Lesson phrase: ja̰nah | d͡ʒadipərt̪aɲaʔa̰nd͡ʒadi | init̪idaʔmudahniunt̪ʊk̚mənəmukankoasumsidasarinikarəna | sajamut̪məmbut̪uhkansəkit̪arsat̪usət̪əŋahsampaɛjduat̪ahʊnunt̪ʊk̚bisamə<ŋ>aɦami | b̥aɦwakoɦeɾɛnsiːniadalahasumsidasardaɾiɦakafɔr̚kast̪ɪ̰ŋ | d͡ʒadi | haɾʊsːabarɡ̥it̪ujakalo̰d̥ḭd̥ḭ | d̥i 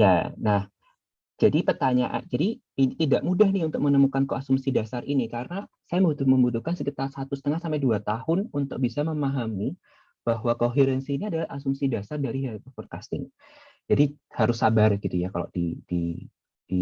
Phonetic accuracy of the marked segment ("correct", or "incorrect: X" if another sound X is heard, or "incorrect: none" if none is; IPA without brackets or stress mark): incorrect: m